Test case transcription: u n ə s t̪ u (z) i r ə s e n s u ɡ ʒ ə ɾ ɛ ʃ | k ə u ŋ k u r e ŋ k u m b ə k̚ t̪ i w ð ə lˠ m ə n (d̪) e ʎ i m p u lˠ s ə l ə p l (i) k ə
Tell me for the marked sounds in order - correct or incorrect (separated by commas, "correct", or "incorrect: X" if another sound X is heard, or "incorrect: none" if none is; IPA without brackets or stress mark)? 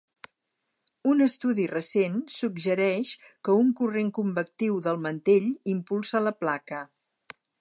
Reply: incorrect: ð, incorrect: t̪, incorrect: a